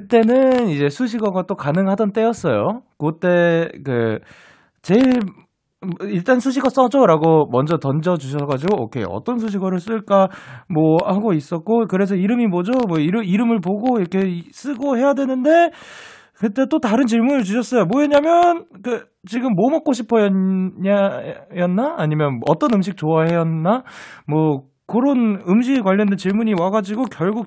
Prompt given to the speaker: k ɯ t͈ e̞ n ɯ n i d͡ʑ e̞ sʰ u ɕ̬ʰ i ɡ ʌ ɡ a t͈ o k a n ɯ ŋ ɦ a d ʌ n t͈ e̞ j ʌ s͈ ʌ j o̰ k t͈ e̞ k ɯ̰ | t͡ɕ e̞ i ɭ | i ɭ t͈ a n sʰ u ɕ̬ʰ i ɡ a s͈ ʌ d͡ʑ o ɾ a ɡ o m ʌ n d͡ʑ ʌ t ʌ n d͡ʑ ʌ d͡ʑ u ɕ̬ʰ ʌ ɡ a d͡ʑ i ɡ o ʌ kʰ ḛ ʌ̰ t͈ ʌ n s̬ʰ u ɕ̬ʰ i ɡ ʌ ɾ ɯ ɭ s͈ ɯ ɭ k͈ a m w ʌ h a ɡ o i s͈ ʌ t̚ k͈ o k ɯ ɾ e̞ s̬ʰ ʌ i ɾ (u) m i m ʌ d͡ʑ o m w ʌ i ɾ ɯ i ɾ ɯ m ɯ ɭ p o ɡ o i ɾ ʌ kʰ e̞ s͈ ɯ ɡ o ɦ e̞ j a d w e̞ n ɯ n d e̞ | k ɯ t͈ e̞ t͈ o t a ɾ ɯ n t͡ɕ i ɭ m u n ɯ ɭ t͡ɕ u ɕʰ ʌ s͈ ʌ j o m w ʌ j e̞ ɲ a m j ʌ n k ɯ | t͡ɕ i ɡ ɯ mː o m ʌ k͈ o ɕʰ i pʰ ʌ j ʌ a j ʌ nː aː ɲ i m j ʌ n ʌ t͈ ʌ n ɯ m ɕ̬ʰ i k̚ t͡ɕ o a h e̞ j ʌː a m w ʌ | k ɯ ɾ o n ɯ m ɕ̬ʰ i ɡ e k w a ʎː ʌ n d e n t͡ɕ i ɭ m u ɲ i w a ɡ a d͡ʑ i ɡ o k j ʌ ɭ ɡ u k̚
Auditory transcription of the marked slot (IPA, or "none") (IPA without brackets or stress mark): ɯ